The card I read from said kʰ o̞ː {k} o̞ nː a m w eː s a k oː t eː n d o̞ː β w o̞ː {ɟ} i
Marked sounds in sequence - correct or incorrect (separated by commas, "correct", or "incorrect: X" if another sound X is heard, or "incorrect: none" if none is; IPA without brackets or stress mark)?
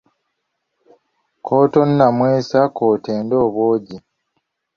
incorrect: t, correct